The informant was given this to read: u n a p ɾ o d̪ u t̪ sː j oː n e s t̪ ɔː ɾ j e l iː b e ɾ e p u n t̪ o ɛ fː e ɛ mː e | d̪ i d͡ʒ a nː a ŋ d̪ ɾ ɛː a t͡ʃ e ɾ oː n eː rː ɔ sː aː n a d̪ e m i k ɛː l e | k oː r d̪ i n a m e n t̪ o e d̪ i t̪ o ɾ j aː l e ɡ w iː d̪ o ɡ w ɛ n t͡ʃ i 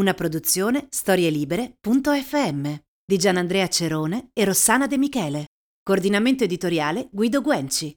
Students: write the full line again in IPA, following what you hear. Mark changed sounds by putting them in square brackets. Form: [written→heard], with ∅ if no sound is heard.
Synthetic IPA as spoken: u n a p ɾ o d̪ u t̪ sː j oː n e s t̪ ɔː ɾ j e l iː b e ɾ e p u n t̪ o ɛ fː e ɛ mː e | d̪ i d͡ʒ a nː a [ŋ→n] d̪ ɾ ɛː a t͡ʃ e ɾ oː n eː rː [ɔ→o] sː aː n a d̪ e m i k ɛː l e | k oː r d̪ i n a m e n t̪ o e d̪ i t̪ o ɾ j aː l e ɡ w iː d̪ o ɡ w ɛ n t͡ʃ i